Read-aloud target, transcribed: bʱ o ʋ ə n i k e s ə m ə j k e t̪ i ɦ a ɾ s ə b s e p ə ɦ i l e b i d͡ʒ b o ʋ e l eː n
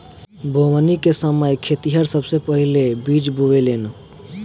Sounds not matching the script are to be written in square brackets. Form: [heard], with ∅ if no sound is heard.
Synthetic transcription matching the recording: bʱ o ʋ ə n i k e s ə m ə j [kʰ] e t̪ i ɦ [ə] ɾ s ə b s e p ə ɦ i l e b i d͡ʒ b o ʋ e l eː n